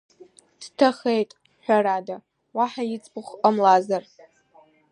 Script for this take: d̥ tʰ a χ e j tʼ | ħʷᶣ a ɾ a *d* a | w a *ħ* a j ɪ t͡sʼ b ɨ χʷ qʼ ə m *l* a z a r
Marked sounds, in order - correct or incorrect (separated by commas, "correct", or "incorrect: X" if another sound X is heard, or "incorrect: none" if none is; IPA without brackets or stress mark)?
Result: correct, correct, correct